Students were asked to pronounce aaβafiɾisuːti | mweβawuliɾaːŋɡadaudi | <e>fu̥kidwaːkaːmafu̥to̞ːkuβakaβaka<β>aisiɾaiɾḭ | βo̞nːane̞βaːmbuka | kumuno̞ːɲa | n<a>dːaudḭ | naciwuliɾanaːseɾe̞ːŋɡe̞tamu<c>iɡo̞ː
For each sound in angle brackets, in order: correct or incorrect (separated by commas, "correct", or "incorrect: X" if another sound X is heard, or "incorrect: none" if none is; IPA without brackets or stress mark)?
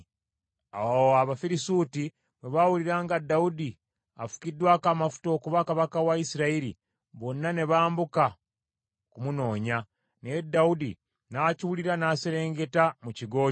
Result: incorrect: a, incorrect: w, incorrect: e, correct